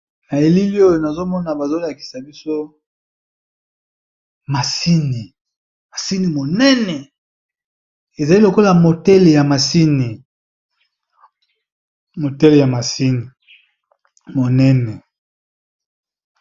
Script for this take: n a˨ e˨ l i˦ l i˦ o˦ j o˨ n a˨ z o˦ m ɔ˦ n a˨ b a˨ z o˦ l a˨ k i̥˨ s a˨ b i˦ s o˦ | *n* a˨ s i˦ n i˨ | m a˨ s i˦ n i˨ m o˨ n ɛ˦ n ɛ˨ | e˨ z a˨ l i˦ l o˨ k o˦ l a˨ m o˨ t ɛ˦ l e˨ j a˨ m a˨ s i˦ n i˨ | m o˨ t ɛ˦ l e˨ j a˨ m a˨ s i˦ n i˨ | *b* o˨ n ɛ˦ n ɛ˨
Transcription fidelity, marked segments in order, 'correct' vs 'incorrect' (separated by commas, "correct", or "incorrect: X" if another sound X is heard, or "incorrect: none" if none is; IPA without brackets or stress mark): incorrect: m, incorrect: m